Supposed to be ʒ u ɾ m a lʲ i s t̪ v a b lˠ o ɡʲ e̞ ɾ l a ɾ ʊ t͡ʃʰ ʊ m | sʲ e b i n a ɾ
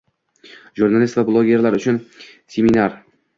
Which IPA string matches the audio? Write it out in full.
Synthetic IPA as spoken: ʒ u ɾ n a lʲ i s t̪ v a b lˠ o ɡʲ e̞ ɾ l a ɾ ʊ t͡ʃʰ ʊ n | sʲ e m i n a ɾ